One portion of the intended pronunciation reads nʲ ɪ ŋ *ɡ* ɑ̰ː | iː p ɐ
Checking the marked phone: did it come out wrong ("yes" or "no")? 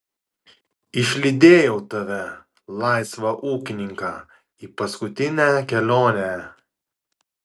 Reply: yes